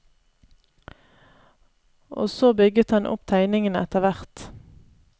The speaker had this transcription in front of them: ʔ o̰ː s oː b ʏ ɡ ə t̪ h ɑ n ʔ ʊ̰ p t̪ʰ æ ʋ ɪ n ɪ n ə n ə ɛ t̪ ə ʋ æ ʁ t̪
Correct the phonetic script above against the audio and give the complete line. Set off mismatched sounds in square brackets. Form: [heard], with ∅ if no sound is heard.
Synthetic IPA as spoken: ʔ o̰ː s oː b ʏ ɡ ə t̪ h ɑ n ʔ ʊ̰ p t̪ʰ æ [∅] ɪ n ɪ [ŋ] ə n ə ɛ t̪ ə ʋ æ ʁ t̪